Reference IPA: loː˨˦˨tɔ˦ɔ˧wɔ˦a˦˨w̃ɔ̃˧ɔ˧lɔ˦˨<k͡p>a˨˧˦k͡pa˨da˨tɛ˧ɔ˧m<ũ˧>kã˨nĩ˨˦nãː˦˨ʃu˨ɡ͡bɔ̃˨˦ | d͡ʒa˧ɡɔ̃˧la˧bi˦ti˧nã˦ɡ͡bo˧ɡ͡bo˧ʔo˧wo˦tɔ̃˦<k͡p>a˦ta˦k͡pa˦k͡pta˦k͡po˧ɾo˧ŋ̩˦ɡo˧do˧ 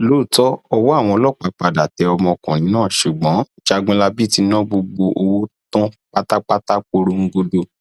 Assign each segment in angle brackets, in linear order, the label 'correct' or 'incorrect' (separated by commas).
correct, incorrect, correct